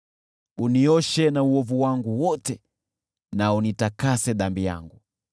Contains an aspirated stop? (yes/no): no